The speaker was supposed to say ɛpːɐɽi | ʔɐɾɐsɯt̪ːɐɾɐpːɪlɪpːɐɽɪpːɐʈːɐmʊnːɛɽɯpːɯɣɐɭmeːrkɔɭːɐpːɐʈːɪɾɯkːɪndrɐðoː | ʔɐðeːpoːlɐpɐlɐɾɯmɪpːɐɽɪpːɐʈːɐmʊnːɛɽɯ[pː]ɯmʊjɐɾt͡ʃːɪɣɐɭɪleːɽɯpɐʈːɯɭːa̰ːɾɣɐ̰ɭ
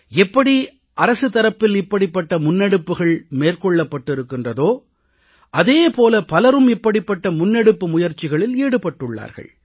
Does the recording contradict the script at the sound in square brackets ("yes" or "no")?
no